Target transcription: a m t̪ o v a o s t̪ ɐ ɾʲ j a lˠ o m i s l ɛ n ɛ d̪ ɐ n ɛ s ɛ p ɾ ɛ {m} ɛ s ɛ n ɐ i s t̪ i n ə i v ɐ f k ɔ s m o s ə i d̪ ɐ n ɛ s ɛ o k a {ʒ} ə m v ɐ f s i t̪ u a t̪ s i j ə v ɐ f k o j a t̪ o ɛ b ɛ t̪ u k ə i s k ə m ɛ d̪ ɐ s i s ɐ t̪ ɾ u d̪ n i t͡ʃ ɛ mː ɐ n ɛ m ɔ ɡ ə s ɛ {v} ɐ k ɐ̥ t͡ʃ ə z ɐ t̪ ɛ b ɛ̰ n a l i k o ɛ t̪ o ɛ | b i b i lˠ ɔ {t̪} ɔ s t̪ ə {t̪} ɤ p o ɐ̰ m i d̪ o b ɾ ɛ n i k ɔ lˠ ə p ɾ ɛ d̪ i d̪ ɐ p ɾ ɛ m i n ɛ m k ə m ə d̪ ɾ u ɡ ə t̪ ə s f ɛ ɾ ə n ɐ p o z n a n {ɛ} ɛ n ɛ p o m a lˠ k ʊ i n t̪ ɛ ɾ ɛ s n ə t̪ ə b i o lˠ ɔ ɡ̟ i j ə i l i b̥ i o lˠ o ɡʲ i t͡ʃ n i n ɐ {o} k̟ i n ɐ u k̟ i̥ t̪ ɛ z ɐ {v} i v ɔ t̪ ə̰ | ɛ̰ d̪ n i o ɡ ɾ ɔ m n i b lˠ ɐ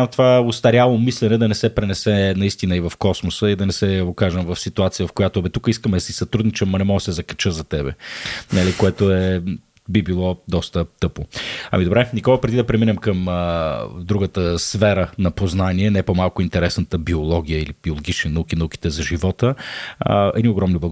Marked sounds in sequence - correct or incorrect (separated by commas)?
incorrect, correct, incorrect, incorrect, correct, incorrect, incorrect, incorrect